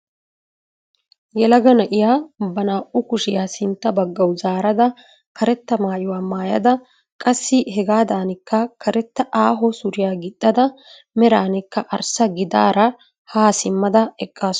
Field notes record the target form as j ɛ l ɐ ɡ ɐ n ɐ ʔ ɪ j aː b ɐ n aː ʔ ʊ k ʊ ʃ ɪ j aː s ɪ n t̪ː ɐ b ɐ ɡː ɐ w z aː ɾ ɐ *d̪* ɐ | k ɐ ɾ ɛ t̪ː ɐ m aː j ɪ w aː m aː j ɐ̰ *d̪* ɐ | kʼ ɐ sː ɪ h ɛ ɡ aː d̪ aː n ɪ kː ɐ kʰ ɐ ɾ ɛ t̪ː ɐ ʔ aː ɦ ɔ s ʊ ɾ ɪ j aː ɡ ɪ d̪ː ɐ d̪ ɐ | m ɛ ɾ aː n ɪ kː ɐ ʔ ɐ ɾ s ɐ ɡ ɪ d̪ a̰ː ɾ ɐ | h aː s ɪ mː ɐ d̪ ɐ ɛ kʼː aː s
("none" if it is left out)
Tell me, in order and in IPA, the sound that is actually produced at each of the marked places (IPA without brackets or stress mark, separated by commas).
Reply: d̪, d̪